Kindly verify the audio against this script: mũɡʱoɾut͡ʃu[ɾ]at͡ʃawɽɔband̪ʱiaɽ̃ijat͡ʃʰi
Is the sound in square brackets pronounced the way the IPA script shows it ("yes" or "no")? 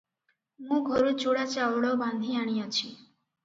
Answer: no